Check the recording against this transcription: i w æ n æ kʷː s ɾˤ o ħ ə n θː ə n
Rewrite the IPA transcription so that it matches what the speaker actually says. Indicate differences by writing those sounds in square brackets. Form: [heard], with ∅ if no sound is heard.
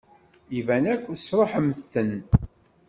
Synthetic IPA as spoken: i [v] æ n æ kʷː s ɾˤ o ħ ə [m] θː ə n

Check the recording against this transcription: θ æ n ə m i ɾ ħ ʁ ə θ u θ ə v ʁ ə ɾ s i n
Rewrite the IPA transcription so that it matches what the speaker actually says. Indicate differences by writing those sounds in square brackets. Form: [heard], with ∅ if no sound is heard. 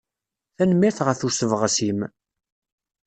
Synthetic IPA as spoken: θ æ n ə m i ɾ [θ] ʁ ə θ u [s] ə v ʁ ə [∅] s i [m]

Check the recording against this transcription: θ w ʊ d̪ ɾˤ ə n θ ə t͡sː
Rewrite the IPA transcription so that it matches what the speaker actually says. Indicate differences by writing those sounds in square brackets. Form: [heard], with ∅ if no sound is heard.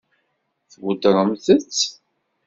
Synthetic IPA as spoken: θ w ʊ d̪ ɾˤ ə [m] θ ə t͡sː

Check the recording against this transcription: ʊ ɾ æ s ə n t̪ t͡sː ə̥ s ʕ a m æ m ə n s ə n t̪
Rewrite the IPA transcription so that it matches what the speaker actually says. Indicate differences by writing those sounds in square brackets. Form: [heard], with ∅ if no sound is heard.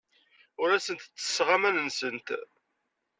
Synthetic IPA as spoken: ʊ ɾ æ s ə n t̪ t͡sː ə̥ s [ʁ] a m æ [n] ə n s ə n t̪

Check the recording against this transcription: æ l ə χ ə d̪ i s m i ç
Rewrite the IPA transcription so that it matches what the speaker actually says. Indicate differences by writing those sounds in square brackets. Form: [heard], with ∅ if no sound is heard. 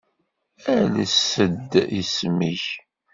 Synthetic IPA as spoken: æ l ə [s] ə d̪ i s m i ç

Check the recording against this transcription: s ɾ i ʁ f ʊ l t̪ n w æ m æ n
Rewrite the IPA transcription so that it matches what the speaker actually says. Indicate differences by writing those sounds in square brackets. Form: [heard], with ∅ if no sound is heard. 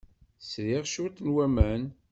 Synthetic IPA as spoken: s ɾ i ʁ [ʃ] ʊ [ɾ] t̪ n w æ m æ n

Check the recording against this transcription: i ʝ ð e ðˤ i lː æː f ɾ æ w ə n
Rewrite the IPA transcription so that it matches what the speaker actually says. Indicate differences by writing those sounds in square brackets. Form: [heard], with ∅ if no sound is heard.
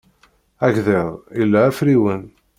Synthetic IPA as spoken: [æ] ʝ ð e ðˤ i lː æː f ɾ [i] w ə n

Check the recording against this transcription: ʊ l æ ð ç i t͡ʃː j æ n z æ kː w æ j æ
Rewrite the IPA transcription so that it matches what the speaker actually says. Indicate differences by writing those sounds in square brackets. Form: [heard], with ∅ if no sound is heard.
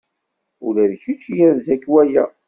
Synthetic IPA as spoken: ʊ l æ ð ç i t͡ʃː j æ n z æ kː w æ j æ

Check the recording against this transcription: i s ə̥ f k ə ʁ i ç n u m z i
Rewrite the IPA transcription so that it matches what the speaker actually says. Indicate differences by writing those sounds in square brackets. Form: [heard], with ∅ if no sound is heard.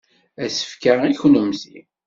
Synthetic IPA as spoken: [æ] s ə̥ f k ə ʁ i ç n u m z i

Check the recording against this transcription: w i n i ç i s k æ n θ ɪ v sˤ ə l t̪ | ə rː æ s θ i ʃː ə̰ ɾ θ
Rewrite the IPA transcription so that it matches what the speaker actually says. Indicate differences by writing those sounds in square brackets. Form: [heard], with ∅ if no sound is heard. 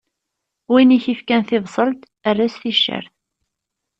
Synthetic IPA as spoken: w i n i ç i [f] k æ n θ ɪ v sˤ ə l t̪ | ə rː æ s θ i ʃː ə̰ ɾ θ

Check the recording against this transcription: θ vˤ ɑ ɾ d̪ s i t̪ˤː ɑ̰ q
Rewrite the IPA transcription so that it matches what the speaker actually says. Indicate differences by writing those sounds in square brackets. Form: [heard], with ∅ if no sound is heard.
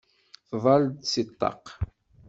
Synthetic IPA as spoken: θ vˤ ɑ [l] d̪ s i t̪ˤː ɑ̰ q

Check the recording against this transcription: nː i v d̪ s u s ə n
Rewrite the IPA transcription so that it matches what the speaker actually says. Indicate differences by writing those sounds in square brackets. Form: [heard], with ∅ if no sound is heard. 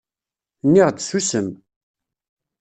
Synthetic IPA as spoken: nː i [ʁ] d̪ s u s ə [m]

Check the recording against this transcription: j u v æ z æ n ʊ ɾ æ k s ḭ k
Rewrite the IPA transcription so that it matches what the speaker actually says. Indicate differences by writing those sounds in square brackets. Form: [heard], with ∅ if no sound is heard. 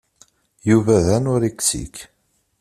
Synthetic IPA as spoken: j u v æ [ð] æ n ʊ ɾ [i] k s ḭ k

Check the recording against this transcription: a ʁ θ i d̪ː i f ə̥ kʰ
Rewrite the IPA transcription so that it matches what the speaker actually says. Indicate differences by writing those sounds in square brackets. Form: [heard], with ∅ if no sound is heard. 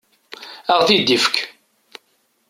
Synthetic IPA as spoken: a ʁ θ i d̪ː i f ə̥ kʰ

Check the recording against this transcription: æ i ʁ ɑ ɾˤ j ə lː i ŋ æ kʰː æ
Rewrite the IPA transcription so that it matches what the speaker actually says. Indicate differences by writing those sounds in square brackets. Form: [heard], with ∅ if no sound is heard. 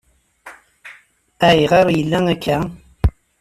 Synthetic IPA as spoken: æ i ʁ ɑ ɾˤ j ə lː [æ] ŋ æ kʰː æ

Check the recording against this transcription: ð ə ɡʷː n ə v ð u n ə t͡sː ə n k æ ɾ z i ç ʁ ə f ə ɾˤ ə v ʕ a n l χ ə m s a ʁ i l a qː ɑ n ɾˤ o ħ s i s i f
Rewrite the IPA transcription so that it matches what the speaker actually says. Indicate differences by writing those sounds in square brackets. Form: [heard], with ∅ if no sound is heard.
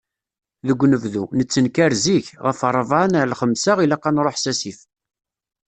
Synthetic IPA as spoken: ð ə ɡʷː n ə v ð u n ə t͡sː ə n k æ ɾ z i ç ʁ ə f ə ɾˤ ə v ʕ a n l χ ə m s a ʁ i l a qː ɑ n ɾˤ o ħ s [æ] s i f

